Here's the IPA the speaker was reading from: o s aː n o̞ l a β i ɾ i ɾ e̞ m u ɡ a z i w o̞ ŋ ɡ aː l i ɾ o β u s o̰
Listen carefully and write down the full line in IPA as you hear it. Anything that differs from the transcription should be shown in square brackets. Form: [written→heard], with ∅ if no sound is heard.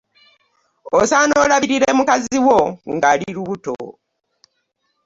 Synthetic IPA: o s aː n o̞ l a β i ɾ i ɾ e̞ m u [ɡ→k] a z i w o̞ ŋ ɡ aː l i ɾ [o→u] β u [s→t] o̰